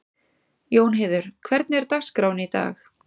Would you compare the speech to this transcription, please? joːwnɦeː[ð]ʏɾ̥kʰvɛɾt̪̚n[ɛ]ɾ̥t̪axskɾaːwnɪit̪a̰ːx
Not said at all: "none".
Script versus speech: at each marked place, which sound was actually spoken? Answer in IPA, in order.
ð, ɛ

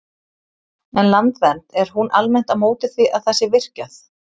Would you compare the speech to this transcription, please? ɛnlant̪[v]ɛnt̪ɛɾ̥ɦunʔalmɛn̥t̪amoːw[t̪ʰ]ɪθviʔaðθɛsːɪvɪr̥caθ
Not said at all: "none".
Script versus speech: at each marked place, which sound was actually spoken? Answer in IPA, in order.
v, t̪

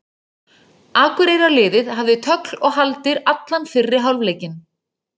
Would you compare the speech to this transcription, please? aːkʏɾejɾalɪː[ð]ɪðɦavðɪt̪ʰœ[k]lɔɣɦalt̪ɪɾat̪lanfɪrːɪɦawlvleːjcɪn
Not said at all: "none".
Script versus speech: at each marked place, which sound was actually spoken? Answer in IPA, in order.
ð, k

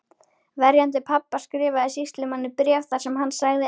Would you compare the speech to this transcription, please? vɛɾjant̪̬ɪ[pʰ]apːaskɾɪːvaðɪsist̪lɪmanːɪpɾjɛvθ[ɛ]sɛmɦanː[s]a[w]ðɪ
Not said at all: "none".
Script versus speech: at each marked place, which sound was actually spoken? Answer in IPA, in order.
pʰ, a, s, ɣ

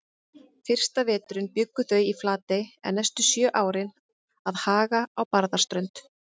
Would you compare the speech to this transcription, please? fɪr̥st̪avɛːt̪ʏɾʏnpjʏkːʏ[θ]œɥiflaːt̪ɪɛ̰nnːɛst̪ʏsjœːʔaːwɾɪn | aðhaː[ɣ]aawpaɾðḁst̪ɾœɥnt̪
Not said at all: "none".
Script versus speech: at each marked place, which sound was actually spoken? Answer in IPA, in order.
θ, ɣ

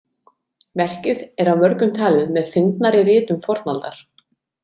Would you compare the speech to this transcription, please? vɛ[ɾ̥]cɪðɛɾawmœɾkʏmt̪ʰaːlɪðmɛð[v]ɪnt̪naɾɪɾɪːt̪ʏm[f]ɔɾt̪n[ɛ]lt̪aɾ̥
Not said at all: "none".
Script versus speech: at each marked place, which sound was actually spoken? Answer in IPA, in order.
r̥, f, f, a

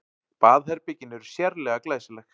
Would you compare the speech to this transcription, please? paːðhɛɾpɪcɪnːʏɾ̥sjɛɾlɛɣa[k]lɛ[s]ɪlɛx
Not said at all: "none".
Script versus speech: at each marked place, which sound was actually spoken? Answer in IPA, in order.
k, s

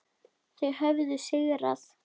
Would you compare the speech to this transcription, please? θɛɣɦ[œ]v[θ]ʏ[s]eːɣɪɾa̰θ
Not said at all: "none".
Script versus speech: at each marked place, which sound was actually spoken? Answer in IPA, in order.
œ, ð, s

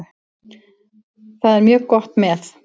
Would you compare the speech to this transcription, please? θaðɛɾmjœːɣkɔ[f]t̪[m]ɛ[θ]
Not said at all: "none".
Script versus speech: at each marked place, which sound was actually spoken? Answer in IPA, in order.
h, m, θ

